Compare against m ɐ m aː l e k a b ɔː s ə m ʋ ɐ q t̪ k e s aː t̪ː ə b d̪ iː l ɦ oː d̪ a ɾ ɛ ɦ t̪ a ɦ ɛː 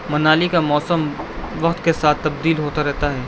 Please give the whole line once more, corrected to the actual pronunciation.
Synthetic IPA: m ɐ n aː l i k a m ɔː s ə m ʋ ɐ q t̪ k e s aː t̪ː ɐ b d̪ iː l ɦ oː t̪ a ɾ ɛ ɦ t̪ a ɦ ɛː